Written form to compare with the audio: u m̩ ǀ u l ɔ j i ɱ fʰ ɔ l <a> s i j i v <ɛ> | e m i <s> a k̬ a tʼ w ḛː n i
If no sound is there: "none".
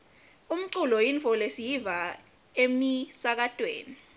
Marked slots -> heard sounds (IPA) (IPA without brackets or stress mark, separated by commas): e, a, s